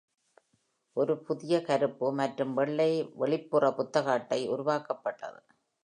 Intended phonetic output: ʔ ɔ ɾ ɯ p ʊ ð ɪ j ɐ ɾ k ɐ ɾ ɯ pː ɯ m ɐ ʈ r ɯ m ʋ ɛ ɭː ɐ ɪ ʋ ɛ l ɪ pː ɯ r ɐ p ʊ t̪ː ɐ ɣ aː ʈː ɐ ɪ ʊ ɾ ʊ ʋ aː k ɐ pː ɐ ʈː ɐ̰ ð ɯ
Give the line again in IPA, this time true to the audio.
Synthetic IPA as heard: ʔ ɔ ɾ ɯ p ʊ ð ɪ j ɐ k ɐ ɾ ɯ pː ɯ m ɐ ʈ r ɯ m ʋ ɛ ɭː ɐ ɪ ʋ ɛ ɭ ɪ pː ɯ r ɐ p ʊ t̪ː ɐ ɣ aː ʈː ɐ ɪ ʊ ɾ ʊ ʋ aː k ɐ pː ɐ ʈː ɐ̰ ð ɯ

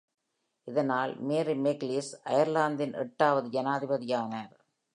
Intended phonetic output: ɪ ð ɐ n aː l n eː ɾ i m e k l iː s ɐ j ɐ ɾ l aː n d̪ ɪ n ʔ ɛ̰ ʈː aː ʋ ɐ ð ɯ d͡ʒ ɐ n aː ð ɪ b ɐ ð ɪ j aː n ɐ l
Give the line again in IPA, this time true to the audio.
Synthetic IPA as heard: ɪ ð ɐ n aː l m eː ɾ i m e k l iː s ɐ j ɐ ɾ l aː n d̪ ɪ n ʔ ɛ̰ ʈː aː ʋ ɐ ð ɯ d͡ʒ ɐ n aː ð ɪ b ɐ ð ɪ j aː n ɐ ɾ

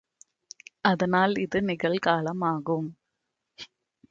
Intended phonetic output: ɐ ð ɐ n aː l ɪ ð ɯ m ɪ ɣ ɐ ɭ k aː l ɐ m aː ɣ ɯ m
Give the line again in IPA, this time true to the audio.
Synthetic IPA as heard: ɐ ð ɐ n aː l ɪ ð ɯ n ɪ ɣ ɐ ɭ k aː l ɐ m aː ɣ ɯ m

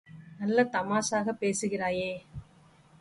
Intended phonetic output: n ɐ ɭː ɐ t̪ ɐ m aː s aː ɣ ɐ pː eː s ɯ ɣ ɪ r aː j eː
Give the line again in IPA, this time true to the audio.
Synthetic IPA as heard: n ɐ lː ɐ t̪ ɐ m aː s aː ɣ ɐ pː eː s ɯ ɣ ɪ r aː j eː

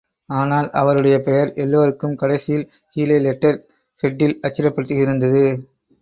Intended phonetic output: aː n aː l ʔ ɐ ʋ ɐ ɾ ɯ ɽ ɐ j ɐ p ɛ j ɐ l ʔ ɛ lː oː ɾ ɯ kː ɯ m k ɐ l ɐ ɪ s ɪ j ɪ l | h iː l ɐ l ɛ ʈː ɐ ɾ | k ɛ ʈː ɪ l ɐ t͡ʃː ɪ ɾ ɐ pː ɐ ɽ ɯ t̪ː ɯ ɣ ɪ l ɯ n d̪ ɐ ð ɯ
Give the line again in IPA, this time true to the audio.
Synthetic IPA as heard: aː n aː l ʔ ɐ ʋ ɐ ɾ ɯ ɽ ɐ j ɐ p ɛ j ɐ ɾ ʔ ɛ lː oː ɾ ɯ kː ɯ m k ɐ ɽ ɐ ɪ s ɪ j ɪ l | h iː l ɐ l ɛ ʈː ɐ ɾ | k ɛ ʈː ɪ l ɐ t͡ʃː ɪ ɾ ɐ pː ɐ ɽ ɯ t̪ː ɯ ɣ ɪ ɾ ɯ n d̪ ɐ ð ɯ

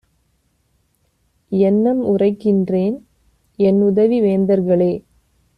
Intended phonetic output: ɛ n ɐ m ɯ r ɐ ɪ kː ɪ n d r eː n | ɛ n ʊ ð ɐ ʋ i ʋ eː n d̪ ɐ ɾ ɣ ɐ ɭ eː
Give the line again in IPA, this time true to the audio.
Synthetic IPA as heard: ɛ nː ɐ m ʊ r ɐ ɪ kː ɪ n d r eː n | ɛ n ʊ ð ɐ ʋ i ʋ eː n d̪ ɐ ɾ ɣ ɐ ɭ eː

